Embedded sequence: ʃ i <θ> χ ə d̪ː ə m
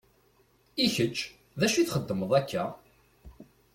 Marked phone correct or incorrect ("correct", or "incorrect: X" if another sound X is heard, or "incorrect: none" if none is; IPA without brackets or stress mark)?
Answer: correct